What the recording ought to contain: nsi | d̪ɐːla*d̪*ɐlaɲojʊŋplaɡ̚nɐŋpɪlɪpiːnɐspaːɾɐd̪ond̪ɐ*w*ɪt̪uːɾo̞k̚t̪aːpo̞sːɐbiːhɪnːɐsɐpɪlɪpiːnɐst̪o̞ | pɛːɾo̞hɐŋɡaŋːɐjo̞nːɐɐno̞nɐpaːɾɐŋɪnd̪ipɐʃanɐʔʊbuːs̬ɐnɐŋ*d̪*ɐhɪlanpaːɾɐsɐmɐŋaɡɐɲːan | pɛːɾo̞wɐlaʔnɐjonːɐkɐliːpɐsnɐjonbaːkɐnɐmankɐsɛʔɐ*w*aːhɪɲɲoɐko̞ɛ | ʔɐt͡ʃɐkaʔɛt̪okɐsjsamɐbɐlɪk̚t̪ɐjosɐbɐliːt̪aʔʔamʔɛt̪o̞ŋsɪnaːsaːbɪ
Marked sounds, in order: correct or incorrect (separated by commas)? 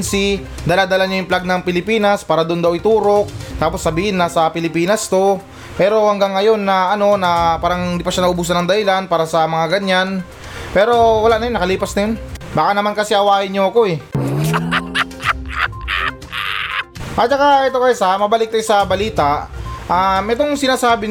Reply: correct, correct, correct, correct